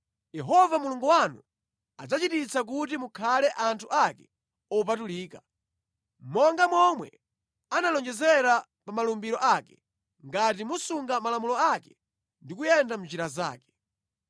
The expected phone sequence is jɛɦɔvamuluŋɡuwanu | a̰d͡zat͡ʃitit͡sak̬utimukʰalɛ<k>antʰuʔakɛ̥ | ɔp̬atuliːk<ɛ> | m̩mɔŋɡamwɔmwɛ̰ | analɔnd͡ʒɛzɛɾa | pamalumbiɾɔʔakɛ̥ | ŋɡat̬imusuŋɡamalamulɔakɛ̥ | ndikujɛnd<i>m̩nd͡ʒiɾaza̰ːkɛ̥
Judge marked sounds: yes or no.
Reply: no, no, no

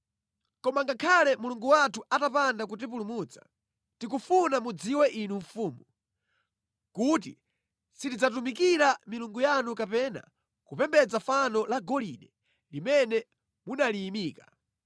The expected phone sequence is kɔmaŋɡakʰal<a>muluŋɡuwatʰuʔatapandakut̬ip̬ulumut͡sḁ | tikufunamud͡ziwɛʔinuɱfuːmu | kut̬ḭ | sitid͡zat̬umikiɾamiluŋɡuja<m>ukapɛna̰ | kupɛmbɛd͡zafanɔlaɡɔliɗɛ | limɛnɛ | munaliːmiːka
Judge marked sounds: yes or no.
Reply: no, no

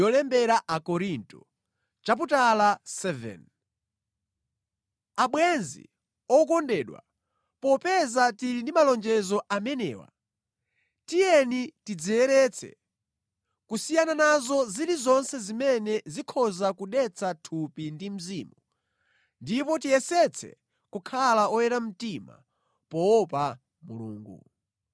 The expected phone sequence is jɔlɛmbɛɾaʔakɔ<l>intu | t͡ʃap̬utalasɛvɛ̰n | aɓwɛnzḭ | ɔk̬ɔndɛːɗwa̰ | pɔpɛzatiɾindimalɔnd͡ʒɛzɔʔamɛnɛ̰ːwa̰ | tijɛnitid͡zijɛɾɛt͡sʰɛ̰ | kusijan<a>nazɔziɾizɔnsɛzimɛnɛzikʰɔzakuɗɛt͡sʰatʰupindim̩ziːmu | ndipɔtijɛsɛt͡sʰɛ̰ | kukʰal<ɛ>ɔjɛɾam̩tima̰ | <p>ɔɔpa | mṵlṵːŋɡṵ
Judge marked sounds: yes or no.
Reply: no, yes, no, yes

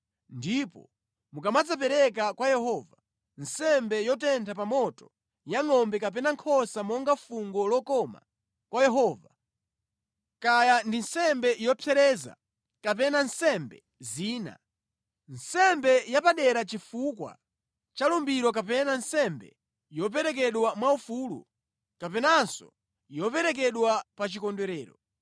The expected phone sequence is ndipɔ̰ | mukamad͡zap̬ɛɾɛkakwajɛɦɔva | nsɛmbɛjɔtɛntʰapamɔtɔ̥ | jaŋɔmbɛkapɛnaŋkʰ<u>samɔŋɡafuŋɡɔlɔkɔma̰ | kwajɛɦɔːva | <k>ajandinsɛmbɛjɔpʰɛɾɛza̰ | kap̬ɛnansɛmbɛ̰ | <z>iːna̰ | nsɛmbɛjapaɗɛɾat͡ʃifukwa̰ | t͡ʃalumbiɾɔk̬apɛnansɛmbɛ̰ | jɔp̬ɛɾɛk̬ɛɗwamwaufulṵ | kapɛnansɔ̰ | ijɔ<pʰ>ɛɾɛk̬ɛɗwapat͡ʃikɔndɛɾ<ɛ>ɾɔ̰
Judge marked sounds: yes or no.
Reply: no, yes, yes, no, no

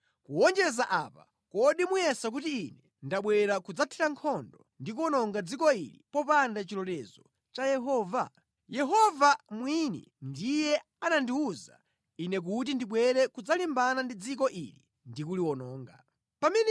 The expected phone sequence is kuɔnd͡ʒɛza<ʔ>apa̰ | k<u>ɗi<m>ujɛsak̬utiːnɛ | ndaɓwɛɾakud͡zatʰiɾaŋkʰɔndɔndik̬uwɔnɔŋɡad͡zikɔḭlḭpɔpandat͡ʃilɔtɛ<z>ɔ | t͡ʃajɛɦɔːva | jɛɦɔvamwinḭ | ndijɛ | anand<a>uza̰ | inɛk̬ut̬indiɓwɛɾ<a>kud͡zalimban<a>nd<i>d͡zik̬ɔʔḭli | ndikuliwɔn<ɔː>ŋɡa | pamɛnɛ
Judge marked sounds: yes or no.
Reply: yes, no, yes, yes, no, no, yes, yes, yes

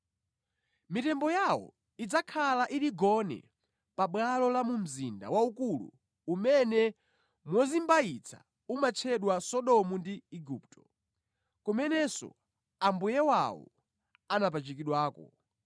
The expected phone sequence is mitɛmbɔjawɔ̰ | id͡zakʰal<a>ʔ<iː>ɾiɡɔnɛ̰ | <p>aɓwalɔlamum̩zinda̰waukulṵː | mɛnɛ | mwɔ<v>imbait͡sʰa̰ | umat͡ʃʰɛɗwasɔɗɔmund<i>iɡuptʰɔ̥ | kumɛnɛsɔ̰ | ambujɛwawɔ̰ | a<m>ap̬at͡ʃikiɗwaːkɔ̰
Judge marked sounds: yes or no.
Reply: yes, no, yes, no, yes, no

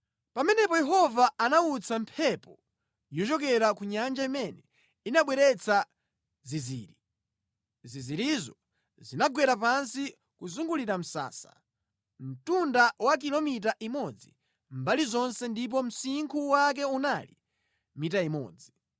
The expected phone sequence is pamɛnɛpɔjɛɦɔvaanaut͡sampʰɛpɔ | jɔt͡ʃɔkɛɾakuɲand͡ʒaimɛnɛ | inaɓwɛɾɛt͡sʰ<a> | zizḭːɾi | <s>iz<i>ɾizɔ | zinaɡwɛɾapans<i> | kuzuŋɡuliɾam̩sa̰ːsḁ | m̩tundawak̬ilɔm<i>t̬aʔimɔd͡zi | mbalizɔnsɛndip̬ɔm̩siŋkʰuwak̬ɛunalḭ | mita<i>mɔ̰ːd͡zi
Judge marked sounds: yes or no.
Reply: yes, no, yes, yes, yes, yes

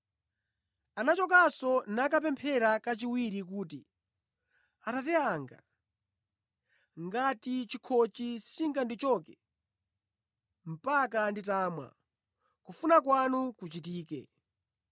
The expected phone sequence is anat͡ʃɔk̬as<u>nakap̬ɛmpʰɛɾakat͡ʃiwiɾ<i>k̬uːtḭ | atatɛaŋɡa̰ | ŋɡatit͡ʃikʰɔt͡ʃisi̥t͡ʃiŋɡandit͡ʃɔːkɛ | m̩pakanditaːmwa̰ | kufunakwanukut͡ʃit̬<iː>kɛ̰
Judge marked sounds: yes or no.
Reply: no, yes, yes

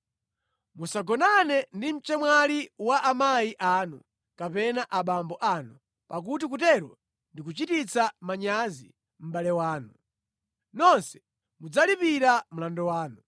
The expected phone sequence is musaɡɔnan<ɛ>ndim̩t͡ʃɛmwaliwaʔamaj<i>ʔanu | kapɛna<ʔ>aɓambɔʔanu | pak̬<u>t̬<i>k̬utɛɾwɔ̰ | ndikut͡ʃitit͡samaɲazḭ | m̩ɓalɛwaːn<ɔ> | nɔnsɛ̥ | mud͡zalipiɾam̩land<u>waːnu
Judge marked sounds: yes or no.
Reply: yes, yes, yes, yes, yes, no, no

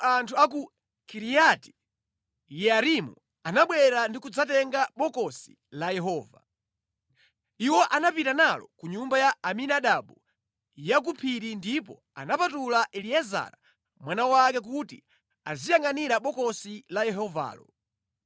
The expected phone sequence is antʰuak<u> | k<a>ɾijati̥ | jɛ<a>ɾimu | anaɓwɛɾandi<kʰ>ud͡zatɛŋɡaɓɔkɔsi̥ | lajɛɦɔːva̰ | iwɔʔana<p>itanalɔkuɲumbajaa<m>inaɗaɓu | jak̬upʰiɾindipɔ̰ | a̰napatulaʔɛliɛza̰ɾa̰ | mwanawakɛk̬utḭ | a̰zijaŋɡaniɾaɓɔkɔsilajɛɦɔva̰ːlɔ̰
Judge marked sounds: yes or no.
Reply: yes, no, yes, no, yes, yes

